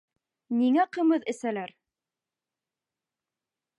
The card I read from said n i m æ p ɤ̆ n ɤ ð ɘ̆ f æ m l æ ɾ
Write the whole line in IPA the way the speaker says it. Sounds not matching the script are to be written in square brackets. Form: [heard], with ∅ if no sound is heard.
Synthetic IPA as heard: n i [ŋ] æ [q] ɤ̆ [m] ɤ ð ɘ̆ [s] æ [∅] l æ ɾ